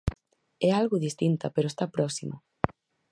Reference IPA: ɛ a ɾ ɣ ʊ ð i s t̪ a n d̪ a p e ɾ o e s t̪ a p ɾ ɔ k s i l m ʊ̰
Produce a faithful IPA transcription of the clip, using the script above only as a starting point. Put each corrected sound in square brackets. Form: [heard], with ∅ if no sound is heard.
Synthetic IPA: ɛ a [l] ɣ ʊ ð i s t̪ [i] n [t̪] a p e ɾ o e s t̪ a p ɾ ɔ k s i [∅] m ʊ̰